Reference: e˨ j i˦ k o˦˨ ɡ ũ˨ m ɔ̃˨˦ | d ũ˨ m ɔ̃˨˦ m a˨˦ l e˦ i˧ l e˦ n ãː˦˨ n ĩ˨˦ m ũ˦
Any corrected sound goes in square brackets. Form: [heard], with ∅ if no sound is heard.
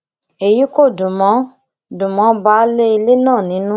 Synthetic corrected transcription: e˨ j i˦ k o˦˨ [d] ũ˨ m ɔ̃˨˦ | d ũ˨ m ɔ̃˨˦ [b] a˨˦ l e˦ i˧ l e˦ n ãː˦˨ n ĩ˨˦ [n] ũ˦